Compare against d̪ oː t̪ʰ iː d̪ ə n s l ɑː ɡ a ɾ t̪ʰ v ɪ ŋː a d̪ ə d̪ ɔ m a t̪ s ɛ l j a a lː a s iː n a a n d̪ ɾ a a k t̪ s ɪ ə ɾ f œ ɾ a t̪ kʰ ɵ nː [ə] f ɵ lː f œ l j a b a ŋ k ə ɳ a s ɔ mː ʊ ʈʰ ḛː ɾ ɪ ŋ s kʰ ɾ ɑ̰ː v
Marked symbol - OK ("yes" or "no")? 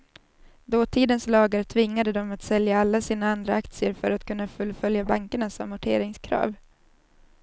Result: no